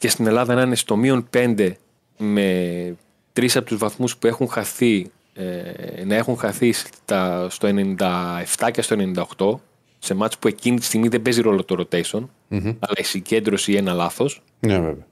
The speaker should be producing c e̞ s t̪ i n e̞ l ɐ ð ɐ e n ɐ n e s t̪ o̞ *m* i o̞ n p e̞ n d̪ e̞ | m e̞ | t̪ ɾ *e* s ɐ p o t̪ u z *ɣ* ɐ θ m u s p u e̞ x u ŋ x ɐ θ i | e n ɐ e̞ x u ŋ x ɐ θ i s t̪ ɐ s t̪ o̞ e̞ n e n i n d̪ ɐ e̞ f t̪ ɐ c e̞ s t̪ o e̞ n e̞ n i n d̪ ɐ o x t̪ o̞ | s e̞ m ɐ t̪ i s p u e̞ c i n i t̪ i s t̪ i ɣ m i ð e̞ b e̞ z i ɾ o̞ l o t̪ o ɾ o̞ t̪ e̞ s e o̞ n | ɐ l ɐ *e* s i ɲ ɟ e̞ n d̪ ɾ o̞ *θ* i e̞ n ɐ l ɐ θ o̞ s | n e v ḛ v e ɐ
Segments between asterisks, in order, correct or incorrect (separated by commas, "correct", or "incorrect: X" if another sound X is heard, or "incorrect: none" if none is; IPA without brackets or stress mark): correct, incorrect: i, incorrect: v, incorrect: i, incorrect: s